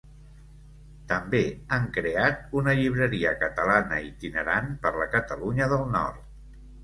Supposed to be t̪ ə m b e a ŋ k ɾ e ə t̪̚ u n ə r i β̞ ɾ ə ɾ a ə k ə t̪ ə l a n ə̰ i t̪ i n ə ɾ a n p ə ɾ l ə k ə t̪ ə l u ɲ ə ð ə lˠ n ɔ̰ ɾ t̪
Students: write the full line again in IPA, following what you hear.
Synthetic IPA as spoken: t̪ ə m b e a ŋ k ɾ e a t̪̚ u n ə ʎ i β̞ ɾ ə ɾ i ə k ə t̪ ə l a n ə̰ i t̪ i n ə ɾ a n p ə ɾ l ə k ə t̪ ə l u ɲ ə ð ə lˠ n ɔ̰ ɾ t̪